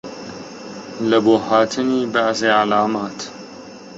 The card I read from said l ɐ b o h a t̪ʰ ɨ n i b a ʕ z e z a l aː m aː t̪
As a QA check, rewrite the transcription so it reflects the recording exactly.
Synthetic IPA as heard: l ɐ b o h a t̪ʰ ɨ n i b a ʕ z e ʕ a l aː m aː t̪

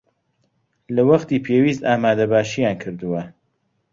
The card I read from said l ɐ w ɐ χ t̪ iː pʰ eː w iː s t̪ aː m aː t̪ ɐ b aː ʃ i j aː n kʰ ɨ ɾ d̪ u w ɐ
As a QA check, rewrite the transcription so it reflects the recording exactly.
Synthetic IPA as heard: l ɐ w ɐ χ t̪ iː pʰ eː w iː s t̪ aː m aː d̪ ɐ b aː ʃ i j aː n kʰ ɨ ɾ d̪ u w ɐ

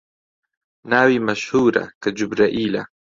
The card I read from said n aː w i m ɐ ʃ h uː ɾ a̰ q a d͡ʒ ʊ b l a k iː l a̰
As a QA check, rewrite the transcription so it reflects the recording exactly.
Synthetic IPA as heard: n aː w i m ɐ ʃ h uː ɾ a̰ k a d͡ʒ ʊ b ɾ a ʔ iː l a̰

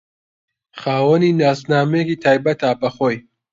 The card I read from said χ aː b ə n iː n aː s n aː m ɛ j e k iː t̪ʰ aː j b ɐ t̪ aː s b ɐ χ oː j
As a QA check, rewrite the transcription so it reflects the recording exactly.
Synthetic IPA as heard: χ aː w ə n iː n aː s n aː m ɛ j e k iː t̪ʰ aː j b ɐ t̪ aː b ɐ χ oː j

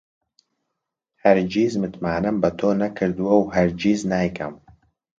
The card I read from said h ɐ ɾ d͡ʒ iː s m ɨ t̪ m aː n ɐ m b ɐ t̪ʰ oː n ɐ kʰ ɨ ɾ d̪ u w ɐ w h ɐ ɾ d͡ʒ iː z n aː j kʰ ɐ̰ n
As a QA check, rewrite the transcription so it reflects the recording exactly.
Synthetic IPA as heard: h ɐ ɾ d͡ʒ iː z m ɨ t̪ m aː n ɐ m b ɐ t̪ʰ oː n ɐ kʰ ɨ ɾ d̪ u w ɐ w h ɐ ɾ d͡ʒ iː z n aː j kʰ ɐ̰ m

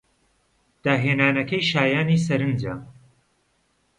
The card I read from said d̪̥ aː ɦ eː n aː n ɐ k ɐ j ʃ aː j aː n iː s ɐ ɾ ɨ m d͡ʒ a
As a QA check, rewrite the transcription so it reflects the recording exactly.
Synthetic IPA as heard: d̪̥ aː ɦ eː n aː n ɐ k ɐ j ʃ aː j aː n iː s ɐ ɾ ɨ n d͡ʒ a

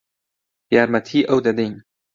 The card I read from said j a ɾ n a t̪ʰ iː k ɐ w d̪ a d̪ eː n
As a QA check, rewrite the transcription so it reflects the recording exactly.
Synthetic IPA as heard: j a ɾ m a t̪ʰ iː ʔ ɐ w d̪ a d̪ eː n

